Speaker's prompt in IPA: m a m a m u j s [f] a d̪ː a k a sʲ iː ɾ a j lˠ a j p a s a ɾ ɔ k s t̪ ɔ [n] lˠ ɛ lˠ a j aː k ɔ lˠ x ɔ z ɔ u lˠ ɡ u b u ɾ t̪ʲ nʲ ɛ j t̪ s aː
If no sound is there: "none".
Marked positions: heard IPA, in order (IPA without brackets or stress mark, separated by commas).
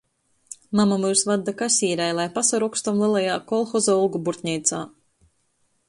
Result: v, m